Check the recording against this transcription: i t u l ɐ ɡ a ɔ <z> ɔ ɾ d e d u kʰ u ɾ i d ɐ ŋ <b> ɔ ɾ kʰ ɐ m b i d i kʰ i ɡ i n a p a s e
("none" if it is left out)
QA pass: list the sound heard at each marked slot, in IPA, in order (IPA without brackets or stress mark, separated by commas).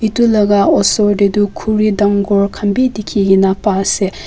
s, ɡ